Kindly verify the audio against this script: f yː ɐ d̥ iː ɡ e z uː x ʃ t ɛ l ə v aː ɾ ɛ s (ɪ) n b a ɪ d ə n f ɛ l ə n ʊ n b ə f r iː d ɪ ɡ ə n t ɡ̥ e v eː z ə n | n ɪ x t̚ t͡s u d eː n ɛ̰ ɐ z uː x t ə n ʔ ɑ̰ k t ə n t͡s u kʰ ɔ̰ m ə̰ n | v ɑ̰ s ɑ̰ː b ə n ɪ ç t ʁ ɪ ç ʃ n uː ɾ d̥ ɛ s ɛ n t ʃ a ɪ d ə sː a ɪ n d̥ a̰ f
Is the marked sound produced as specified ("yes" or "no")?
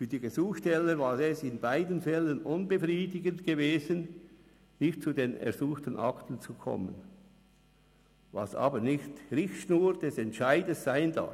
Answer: yes